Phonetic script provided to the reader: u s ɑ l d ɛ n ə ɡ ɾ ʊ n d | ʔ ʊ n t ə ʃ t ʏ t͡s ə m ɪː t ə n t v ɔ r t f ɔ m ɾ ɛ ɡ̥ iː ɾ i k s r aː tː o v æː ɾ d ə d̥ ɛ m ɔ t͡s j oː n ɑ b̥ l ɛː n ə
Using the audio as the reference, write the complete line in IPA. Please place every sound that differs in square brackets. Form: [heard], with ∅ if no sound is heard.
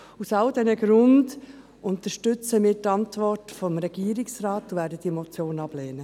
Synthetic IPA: u s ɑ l d ɛ n ə ɡ ɾ ʊ n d | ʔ ʊ n t ə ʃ t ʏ t͡s ə m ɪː t [ɑ] n t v ɔ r t f ɔ m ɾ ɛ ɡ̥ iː ɾ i k s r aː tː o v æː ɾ d ə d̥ [i] m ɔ t͡s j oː n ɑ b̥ l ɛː n ə